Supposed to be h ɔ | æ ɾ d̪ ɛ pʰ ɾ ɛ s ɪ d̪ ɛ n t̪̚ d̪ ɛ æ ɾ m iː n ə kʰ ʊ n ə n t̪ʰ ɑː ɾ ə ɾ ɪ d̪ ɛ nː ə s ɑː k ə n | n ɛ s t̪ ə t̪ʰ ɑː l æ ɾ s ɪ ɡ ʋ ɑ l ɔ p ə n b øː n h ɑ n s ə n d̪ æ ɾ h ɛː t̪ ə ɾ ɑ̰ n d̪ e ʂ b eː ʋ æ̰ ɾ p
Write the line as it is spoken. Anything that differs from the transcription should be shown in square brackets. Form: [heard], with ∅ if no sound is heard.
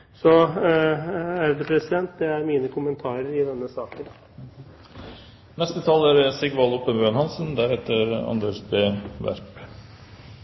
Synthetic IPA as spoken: [s] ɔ | æ ɾ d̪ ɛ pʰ ɾ ɛ s ɪ d̪ ɛ n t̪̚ d̪ ɛ æ ɾ m iː n ə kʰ ʊ [m] ə n t̪ʰ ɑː ɾ ə ɾ ɪ d̪ ɛ nː ə s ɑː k ə n | n ɛ s t̪ ə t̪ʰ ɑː l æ ɾ s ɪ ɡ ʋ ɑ l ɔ p ə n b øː n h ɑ n s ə n d̪ æ ɾ h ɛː t̪ ə ɾ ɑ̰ n d̪ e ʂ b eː ʋ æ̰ ɾ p